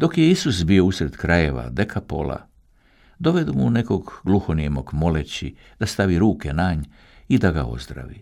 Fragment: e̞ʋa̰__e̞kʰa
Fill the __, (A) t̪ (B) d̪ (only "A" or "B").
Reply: B